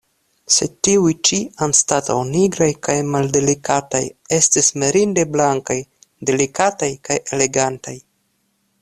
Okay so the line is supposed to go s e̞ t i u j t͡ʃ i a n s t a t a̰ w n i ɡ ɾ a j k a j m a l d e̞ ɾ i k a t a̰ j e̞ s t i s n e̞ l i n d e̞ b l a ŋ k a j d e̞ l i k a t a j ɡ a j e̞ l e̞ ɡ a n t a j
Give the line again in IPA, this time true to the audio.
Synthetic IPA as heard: s e̞ t i u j t͡ʃ i a n s t a t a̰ w n i ɡ ɾ a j k a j m a l d e̞ l i k a t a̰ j e̞ s t i s m e̞ ɾ i n d e̞ b l a ŋ k a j d e̞ l i k a t a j k a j e̞ l e̞ ɡ a n t a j